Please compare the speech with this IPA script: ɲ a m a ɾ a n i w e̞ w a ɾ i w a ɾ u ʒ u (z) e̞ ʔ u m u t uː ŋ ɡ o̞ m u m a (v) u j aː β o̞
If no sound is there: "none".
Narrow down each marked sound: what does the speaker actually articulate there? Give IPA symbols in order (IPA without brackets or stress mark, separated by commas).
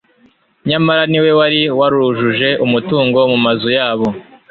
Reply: ʒ, z